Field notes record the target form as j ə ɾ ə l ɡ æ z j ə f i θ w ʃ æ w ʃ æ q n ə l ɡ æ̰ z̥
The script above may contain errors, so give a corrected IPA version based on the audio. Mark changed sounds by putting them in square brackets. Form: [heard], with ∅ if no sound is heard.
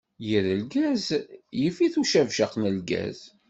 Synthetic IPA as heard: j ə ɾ ə l ɡ æ z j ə f i θ [u] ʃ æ [v] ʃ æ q n ə l ɡ æ̰ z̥